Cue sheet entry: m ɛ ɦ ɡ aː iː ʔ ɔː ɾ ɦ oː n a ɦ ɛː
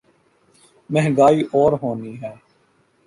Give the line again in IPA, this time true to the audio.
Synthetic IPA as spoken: m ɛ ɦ ɡ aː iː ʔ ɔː ɾ ɦ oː n i ɦ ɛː